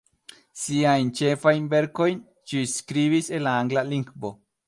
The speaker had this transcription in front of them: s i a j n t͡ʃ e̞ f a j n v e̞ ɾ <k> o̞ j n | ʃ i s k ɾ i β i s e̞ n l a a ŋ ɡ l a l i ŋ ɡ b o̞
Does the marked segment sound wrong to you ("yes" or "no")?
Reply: no